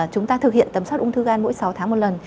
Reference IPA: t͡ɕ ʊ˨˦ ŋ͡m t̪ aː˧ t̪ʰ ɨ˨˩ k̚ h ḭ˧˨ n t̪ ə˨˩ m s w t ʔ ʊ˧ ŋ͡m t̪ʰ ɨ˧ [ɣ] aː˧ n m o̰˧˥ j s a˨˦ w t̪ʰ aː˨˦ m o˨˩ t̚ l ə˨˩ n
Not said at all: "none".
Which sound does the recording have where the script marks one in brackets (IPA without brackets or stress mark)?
ɣ